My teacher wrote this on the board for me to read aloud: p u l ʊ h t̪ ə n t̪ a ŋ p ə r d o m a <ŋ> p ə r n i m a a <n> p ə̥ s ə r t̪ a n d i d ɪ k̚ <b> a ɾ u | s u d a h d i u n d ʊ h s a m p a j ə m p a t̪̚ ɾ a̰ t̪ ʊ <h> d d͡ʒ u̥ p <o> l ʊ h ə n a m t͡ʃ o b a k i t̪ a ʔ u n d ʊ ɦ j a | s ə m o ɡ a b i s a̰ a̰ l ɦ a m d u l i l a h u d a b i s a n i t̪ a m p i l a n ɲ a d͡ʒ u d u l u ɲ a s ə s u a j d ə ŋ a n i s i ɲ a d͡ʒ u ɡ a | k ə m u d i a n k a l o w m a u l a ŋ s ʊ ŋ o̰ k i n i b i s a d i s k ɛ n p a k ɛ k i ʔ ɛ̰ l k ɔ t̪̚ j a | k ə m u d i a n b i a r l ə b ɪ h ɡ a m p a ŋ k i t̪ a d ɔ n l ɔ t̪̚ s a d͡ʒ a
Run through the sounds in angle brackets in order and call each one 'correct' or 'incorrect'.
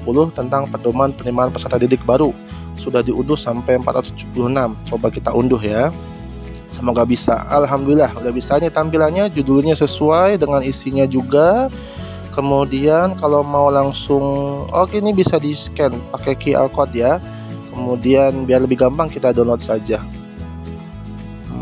incorrect: n, correct, correct, incorrect: s, incorrect: u

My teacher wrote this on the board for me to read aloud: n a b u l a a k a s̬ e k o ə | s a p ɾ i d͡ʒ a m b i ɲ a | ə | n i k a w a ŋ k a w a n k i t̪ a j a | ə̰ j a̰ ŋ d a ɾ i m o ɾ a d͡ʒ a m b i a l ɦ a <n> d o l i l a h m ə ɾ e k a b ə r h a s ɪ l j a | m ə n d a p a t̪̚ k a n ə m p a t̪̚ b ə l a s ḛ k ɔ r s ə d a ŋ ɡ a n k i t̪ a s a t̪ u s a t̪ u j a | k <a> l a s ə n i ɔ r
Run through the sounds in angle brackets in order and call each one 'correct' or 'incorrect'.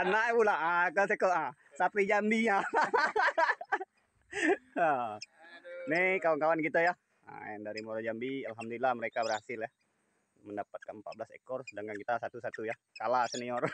incorrect: m, correct

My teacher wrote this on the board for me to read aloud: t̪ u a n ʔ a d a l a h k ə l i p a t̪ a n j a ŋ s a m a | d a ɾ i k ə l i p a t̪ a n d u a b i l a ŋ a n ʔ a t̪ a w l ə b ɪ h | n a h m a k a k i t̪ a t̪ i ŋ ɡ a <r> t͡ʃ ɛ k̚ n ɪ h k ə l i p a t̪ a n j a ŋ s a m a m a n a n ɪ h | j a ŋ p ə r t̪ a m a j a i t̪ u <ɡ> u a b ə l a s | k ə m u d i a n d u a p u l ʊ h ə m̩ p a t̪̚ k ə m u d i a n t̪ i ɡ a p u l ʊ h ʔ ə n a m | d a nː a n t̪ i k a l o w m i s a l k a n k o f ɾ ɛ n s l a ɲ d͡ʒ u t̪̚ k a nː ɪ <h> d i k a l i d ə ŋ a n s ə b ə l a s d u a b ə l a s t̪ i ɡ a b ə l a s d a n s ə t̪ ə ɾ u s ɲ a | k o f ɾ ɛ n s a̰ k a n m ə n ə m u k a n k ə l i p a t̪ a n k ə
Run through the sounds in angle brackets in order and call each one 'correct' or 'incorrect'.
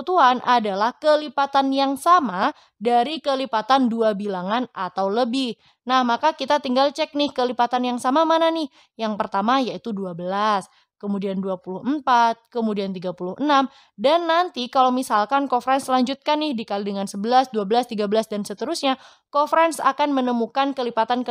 incorrect: l, incorrect: d, correct

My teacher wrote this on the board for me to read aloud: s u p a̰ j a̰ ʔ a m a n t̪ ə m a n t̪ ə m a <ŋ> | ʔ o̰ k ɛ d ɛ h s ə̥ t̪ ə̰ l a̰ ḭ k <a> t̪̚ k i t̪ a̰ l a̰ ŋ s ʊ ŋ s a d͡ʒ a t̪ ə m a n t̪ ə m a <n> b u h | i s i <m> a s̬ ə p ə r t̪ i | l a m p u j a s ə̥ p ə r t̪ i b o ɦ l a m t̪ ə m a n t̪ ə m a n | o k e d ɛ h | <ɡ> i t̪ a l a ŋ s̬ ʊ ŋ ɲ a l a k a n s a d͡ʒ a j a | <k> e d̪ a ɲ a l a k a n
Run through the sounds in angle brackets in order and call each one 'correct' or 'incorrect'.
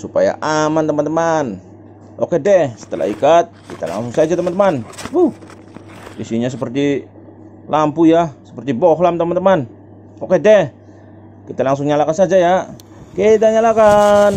incorrect: n, correct, correct, incorrect: ɲ, incorrect: k, correct

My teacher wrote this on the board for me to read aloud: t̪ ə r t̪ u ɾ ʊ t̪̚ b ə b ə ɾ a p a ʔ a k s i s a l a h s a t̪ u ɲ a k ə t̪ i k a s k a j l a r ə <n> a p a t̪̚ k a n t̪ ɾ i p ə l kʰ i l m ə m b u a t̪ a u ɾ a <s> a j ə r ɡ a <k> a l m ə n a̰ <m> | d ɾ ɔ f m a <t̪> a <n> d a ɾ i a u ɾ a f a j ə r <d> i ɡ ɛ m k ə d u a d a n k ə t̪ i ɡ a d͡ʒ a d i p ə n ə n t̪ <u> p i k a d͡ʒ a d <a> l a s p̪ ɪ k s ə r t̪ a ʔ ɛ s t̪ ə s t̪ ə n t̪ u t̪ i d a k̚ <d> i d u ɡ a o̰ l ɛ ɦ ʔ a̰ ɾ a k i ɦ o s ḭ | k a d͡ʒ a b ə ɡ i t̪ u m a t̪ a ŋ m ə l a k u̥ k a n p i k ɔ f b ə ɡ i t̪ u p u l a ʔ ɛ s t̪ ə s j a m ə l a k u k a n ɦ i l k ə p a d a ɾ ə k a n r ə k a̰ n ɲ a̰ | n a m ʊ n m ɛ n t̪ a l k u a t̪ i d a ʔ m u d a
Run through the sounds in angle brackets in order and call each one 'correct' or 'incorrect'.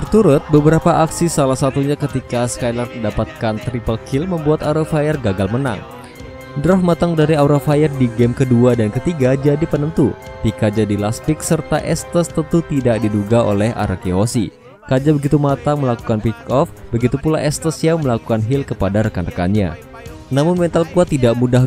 incorrect: d, incorrect: f, incorrect: ɡ, incorrect: ŋ, correct, incorrect: ŋ, correct, correct, incorrect: i, correct

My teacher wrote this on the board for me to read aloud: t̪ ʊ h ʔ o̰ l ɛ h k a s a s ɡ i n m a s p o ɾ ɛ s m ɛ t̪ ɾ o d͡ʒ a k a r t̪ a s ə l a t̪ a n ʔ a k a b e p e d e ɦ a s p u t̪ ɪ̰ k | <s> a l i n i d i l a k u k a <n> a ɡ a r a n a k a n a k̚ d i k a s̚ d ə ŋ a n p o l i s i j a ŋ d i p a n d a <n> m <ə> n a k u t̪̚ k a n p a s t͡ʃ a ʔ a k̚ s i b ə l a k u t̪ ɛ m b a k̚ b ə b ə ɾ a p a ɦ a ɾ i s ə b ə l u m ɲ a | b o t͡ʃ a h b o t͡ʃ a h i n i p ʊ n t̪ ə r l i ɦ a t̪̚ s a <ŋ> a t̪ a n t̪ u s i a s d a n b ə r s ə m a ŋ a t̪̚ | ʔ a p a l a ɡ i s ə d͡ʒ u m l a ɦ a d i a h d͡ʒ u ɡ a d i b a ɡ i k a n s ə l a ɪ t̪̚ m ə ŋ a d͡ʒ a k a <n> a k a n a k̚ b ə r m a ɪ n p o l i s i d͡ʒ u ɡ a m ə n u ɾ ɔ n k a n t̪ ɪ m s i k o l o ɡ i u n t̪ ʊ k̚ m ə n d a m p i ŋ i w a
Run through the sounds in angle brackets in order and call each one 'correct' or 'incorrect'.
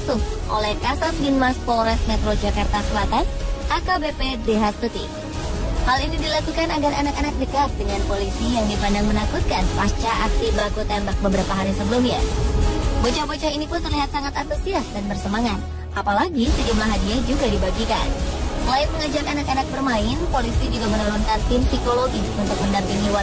incorrect: h, correct, incorrect: ŋ, correct, correct, correct

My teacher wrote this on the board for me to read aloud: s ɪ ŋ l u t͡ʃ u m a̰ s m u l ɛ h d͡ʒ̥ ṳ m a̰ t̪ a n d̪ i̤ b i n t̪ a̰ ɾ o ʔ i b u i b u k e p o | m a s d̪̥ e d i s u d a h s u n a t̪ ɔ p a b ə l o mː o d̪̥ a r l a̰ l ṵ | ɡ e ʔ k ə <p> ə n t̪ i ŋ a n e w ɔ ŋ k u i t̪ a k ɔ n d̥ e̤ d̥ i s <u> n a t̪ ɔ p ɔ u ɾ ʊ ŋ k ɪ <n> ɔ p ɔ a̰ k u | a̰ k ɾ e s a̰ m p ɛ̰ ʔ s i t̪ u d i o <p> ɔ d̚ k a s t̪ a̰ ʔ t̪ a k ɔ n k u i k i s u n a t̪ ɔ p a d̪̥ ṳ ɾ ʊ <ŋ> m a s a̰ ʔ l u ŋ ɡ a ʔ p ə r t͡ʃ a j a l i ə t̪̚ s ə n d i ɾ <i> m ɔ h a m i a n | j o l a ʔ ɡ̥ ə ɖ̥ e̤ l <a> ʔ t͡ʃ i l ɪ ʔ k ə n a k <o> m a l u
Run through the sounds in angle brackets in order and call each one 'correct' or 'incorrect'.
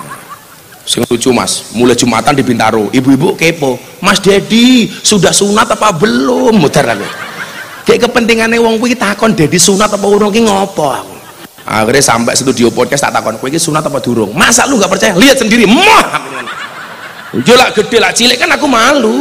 correct, correct, incorrect: ŋ, correct, correct, correct, correct, incorrect: u

